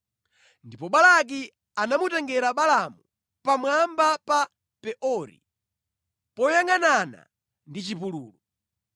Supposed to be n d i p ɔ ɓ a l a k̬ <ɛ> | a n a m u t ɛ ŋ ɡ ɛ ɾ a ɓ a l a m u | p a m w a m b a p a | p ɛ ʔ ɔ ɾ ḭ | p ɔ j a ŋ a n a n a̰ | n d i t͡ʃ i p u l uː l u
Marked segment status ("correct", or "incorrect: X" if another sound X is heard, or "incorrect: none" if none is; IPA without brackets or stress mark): incorrect: i